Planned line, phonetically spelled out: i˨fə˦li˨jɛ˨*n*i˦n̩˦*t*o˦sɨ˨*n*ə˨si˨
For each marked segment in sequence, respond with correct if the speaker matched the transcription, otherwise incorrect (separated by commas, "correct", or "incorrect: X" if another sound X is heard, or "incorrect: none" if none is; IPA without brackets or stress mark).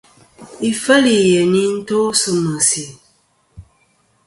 correct, correct, incorrect: m